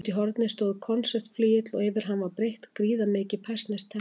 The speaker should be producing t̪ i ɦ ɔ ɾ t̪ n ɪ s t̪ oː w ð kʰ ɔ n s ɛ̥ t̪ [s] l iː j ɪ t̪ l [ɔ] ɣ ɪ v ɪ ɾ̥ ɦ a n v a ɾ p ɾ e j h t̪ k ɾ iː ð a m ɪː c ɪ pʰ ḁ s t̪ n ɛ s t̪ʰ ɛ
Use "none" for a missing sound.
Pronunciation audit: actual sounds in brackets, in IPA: f, ɔ

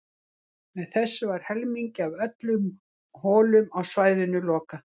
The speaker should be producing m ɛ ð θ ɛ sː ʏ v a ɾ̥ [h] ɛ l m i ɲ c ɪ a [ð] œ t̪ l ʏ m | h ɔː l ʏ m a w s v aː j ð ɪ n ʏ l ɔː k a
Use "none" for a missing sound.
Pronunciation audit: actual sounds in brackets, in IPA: h, v

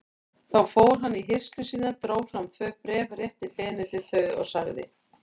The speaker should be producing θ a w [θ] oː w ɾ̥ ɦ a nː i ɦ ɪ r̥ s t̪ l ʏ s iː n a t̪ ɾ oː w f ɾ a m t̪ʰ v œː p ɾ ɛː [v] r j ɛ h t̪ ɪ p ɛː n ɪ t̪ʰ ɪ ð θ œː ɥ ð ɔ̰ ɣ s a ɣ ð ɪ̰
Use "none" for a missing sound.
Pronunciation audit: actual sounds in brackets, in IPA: f, v

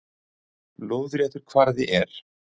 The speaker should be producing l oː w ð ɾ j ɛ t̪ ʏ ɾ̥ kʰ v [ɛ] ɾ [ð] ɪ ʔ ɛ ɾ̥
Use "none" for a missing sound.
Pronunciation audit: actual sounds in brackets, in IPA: a, ð

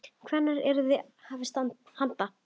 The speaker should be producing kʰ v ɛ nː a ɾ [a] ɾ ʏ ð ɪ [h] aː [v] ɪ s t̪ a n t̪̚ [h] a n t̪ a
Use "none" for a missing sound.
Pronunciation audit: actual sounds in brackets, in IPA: ɛ, h, v, h

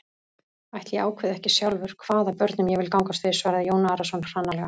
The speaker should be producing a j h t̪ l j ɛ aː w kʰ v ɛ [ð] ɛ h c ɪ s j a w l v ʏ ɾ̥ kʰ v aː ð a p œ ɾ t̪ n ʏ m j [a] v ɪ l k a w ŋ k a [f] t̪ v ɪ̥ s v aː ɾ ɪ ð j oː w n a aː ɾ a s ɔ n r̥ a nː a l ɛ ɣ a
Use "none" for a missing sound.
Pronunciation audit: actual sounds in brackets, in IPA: ð, ɛ, s

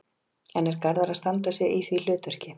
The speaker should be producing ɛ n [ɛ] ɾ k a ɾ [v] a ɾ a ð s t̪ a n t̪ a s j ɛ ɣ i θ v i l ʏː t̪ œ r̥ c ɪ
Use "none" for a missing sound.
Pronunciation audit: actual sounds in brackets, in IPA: ɛ, ð

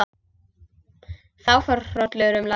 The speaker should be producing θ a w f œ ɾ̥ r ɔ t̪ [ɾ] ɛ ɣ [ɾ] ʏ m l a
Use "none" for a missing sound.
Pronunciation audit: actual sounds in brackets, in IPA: l, ɾ

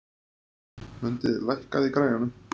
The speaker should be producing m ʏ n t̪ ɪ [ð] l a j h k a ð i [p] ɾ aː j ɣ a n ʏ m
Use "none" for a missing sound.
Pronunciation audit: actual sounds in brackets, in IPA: ð, k

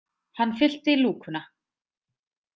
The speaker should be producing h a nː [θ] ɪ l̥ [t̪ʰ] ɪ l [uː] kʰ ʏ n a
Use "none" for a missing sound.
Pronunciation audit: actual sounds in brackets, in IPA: f, t̪, uː

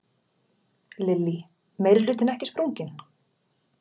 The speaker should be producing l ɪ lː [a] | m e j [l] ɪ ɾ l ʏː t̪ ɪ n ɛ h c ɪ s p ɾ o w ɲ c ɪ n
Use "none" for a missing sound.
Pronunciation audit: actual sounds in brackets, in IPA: i, ɾ

